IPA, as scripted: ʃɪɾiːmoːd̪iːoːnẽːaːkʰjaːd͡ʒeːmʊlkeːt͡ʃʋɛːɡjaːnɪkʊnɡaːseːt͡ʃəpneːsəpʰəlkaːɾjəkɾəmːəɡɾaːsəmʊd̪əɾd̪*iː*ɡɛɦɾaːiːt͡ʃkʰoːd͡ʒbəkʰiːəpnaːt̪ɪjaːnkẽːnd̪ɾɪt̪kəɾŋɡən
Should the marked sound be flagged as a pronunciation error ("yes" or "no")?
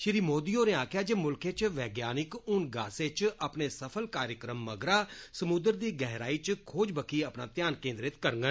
no